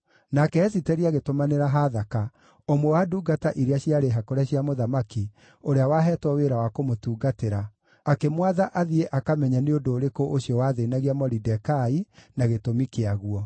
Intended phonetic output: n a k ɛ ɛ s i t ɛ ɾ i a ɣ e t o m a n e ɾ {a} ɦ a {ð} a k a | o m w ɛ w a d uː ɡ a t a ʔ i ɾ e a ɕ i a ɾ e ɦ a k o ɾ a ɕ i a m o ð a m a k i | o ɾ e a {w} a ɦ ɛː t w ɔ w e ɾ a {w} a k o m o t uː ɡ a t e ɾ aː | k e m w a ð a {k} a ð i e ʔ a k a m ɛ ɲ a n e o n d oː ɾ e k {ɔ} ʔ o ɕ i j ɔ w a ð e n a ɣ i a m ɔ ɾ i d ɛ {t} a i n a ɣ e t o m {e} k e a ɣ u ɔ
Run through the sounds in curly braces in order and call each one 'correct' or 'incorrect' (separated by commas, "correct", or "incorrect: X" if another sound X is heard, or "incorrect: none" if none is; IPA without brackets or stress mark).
correct, correct, correct, correct, incorrect: ʔ, incorrect: o, incorrect: k, incorrect: i